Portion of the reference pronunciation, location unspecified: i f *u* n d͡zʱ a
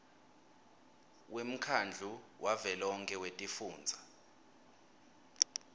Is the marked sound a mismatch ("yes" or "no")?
yes